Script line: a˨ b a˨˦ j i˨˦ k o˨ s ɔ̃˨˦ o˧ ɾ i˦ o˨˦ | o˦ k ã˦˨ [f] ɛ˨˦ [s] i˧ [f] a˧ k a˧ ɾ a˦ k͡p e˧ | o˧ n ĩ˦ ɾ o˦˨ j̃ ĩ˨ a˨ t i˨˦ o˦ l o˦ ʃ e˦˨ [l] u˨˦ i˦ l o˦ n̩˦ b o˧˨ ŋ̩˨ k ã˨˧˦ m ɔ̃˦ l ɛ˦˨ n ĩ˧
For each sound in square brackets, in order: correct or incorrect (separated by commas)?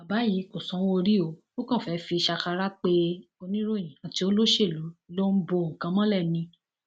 correct, incorrect, incorrect, correct